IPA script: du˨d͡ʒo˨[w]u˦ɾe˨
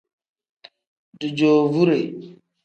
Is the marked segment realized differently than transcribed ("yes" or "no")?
yes